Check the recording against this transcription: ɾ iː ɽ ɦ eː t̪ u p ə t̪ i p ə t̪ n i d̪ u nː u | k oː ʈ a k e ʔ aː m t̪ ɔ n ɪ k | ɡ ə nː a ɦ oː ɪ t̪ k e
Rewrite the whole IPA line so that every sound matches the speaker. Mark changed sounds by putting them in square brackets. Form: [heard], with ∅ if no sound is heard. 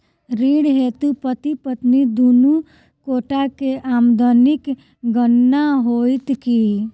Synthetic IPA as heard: ɾ iː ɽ ɦ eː t̪ u p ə t̪ i p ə t̪ n i d̪ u [n] u | k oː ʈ a k e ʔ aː m [d̪] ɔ n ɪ k | ɡ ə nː a ɦ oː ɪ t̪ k [i]